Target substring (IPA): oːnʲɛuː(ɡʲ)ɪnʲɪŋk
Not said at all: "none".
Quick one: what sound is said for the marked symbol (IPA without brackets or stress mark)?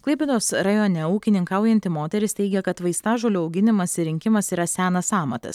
kʲ